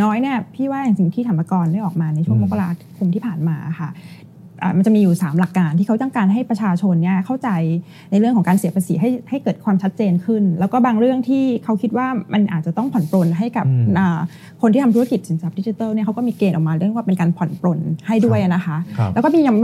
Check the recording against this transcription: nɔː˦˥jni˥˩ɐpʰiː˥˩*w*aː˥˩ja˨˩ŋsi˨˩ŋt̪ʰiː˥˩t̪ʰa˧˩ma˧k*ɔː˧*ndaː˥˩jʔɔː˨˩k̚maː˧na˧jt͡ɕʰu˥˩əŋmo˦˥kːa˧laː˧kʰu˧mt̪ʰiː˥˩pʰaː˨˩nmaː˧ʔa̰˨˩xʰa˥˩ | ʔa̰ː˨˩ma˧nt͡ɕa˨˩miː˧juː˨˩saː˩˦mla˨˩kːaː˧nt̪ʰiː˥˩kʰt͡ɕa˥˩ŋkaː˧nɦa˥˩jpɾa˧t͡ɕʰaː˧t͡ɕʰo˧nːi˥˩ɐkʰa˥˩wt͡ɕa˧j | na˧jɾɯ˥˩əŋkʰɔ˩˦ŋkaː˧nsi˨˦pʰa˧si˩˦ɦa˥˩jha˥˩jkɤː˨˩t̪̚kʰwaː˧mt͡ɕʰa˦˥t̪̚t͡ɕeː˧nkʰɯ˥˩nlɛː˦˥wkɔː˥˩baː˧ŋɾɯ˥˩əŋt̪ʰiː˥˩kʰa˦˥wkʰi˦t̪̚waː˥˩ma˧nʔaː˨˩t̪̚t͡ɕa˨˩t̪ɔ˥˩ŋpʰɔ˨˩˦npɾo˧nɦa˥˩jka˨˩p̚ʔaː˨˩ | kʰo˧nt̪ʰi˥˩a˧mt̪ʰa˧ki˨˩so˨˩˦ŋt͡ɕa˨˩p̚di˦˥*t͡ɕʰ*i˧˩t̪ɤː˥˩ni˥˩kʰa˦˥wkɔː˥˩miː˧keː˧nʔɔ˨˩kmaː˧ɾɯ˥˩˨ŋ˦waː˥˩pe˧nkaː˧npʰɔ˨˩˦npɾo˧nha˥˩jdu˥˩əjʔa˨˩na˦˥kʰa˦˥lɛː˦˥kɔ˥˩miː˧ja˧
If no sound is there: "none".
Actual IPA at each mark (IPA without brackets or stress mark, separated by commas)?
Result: w, ɔː˧, t͡ɕ